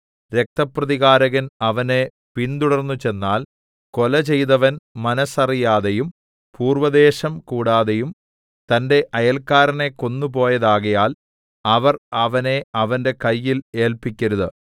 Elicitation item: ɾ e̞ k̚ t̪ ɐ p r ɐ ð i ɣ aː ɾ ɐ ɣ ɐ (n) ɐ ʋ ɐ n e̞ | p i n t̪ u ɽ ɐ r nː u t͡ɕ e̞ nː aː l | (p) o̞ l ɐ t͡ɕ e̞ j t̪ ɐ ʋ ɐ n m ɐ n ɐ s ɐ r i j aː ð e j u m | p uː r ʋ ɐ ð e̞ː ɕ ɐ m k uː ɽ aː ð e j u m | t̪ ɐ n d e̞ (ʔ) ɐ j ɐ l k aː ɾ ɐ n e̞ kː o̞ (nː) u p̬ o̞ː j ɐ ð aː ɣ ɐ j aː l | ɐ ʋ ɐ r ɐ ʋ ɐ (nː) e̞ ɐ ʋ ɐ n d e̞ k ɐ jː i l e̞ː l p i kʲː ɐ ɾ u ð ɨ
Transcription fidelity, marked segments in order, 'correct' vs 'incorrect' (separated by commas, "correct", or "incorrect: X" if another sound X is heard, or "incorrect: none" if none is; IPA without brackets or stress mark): correct, incorrect: k, correct, correct, incorrect: n